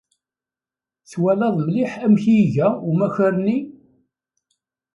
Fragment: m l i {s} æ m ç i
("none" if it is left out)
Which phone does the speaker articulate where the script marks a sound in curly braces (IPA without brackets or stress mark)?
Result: ħ